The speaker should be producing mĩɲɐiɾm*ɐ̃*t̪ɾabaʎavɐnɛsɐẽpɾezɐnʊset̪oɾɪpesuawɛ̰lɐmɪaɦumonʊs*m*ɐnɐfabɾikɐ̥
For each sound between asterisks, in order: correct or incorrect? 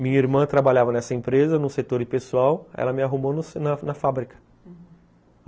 correct, incorrect: n

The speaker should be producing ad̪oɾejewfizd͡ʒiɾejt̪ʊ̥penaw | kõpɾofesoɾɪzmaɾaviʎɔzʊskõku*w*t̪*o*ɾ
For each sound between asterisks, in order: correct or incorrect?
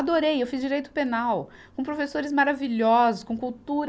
correct, incorrect: u

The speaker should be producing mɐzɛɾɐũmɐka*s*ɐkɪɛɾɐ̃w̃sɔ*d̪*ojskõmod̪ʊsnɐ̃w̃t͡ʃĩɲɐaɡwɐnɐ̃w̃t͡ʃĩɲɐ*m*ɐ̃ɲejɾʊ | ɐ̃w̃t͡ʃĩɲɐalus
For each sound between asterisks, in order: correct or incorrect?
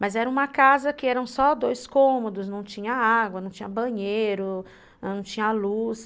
incorrect: z, correct, incorrect: b

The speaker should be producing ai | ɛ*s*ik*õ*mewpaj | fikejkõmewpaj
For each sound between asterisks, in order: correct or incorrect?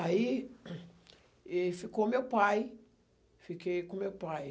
incorrect: f, incorrect: o

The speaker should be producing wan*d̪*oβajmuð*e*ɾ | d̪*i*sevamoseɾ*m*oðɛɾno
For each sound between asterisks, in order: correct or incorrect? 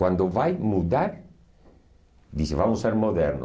correct, incorrect: a, correct, correct

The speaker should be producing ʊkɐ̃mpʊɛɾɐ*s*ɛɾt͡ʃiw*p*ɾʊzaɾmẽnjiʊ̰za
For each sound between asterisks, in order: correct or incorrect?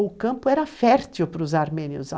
incorrect: f, correct

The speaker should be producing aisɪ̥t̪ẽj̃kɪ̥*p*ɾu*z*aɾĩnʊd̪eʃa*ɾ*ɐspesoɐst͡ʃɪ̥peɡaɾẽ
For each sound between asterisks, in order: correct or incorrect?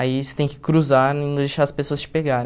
incorrect: k, correct, correct

